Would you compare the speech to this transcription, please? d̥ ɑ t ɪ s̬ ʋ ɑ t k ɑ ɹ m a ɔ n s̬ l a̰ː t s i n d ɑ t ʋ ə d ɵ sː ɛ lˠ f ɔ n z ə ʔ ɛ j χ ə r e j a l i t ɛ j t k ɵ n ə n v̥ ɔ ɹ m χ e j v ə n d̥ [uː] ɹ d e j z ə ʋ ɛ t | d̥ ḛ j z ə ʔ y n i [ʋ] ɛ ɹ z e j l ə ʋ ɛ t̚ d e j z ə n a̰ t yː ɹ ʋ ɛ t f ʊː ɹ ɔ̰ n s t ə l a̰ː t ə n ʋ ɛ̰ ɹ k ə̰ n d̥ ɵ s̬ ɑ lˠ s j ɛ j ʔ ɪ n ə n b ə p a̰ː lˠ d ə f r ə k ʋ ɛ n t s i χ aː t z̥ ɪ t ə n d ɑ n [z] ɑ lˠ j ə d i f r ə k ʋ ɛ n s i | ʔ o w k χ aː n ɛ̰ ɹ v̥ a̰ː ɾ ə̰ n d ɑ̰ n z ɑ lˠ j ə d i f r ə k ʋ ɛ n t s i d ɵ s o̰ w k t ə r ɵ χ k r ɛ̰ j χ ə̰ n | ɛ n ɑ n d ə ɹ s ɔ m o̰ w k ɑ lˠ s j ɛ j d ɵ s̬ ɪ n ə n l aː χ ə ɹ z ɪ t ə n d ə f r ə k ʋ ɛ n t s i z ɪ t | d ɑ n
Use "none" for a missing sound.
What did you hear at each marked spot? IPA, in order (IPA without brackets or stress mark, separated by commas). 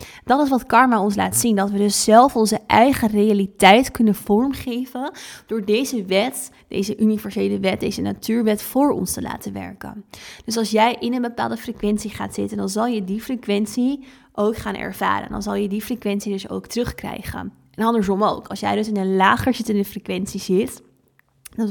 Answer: ʊː, v, z